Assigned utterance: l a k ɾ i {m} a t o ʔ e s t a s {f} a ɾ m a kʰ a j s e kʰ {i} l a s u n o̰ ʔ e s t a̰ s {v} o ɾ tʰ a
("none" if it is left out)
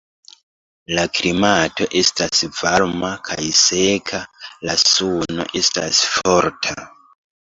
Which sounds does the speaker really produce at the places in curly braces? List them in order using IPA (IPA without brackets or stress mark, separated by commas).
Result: m, v, a, f